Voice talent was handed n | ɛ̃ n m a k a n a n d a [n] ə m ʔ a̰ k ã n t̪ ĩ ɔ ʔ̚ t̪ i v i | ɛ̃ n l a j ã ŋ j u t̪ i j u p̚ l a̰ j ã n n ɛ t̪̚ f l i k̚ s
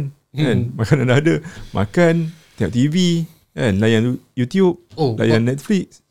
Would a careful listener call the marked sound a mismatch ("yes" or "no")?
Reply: yes